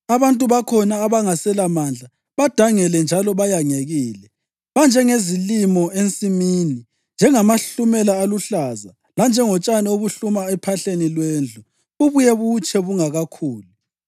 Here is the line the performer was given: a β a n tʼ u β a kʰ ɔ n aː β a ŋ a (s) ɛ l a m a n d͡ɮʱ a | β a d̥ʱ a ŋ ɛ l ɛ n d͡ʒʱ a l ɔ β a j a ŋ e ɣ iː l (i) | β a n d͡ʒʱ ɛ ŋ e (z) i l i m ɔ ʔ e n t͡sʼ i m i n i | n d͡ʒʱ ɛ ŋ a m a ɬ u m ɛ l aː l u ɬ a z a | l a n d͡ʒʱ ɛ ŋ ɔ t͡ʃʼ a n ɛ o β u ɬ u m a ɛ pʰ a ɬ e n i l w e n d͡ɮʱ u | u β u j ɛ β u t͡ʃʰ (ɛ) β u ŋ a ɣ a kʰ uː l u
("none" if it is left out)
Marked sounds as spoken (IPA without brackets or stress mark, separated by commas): s, ɛ, z, ɛ